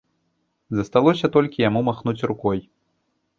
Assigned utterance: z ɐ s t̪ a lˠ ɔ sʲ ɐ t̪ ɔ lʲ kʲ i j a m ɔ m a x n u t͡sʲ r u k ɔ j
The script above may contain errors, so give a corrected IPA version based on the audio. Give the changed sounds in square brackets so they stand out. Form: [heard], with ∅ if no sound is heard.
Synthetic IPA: z ɐ s t̪ a lˠ ɔ sʲ ɐ t̪ ɔ lʲ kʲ i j a m [u] m a x n u t͡sʲ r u k ɔ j